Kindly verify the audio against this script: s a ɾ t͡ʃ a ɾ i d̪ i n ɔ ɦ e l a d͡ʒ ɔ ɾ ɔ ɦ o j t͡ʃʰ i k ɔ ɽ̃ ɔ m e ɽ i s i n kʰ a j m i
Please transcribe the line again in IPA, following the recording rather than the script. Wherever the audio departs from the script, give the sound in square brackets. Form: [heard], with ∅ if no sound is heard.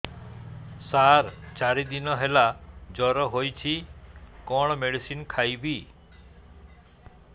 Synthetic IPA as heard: s a ɾ t͡ʃ a ɾ i d̪ i n ɔ ɦ e l a d͡ʒ ɔ ɾ ɔ ɦ o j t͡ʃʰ i k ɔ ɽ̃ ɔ m e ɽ i s i n kʰ a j [b] i